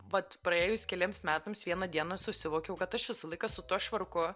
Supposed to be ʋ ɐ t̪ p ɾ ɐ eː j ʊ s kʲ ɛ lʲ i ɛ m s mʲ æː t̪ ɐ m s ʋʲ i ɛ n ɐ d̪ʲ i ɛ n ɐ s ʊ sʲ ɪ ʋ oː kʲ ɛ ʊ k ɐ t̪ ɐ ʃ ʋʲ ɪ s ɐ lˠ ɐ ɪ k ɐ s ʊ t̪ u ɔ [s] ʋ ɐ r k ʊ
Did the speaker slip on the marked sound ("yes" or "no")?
yes